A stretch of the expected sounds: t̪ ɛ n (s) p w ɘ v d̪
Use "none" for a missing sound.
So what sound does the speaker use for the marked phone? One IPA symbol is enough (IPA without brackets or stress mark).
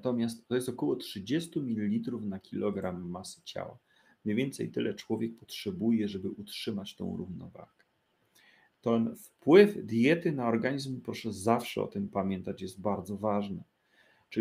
f